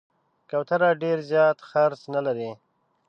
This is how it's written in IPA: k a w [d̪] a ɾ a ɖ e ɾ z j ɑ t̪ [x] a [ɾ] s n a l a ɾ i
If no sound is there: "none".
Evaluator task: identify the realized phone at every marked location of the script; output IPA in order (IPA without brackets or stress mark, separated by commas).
t̪, x, ɾ